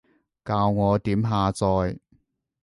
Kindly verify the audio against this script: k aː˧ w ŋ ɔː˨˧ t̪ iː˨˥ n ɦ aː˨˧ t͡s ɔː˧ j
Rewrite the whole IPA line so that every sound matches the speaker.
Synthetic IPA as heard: k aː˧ w ŋ ɔː˨˧ t̪ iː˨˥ m ɦ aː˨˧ t͡s ɔː˧ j